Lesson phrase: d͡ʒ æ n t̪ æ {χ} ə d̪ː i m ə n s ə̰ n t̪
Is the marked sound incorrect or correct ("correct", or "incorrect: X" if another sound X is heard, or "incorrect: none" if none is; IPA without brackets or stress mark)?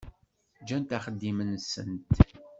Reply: correct